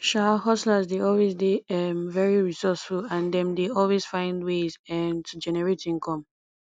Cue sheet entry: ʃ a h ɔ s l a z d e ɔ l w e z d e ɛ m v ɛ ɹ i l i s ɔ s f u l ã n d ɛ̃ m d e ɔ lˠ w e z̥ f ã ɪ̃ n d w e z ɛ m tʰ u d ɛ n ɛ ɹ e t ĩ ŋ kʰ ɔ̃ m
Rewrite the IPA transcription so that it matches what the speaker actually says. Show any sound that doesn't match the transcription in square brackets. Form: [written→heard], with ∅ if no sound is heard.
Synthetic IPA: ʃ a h ɔ s l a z d e ɔ l w e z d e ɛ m v ɛ ɹ i [l→ɹ] i s ɔ s f u l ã n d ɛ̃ m d e ɔ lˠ w e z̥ f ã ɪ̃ n d w e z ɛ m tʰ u [d→d͡ʒ] ɛ n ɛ ɹ e t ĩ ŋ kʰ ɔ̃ m